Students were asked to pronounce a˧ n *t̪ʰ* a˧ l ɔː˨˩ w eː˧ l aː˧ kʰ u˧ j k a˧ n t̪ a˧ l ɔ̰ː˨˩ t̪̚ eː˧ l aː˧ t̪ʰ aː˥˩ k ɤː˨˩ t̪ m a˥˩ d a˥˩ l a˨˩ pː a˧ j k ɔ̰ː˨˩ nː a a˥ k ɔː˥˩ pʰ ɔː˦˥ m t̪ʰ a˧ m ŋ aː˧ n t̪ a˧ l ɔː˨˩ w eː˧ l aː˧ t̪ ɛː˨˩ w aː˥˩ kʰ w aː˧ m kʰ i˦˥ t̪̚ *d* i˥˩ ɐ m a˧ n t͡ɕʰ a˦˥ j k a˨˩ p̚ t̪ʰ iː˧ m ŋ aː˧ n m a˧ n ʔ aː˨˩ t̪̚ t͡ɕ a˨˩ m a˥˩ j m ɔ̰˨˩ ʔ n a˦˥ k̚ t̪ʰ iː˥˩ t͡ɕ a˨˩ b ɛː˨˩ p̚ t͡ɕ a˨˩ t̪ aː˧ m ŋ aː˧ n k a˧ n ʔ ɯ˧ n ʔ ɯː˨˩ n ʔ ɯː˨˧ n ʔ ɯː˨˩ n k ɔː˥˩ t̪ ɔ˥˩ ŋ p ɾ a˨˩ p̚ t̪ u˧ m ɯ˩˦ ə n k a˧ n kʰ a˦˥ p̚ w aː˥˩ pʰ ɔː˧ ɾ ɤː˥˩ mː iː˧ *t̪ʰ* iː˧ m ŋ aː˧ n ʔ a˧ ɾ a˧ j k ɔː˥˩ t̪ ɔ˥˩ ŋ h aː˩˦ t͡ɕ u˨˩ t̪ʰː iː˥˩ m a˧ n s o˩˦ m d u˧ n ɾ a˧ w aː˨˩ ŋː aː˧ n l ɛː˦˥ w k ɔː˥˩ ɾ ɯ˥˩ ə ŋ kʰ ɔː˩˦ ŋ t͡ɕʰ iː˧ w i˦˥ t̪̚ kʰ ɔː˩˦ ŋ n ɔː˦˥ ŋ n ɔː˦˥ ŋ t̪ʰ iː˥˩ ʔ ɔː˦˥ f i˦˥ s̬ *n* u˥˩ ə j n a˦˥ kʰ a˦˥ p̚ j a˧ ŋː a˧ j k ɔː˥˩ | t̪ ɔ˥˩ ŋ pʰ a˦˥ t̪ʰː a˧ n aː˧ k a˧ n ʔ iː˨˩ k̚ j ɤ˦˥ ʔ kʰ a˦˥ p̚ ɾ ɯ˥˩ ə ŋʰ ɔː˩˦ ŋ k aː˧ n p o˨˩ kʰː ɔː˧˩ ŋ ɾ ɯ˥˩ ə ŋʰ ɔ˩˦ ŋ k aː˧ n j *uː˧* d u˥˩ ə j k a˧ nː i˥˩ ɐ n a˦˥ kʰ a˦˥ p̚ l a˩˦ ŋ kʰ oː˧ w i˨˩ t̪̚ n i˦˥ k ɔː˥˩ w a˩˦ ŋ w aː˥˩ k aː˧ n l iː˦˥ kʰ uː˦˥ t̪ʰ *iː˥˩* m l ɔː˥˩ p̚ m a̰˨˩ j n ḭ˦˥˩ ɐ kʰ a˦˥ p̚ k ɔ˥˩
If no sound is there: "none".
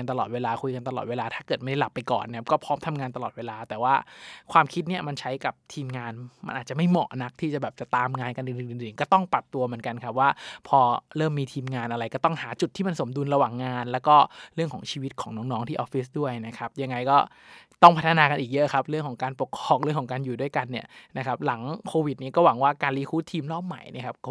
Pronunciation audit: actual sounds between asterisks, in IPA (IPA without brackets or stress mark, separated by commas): t̪, n, t̪ʰ, d, uː˨˩, iː˧